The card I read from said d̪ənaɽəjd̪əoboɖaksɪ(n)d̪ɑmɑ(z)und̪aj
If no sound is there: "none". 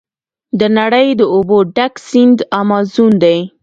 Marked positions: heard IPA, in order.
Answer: n, z

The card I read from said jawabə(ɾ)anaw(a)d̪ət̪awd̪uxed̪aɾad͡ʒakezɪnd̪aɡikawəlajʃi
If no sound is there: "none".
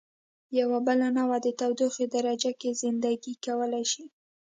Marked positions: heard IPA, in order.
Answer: l, a

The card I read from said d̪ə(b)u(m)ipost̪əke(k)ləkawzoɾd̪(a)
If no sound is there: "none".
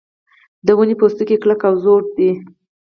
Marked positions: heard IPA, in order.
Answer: w, n, k, i

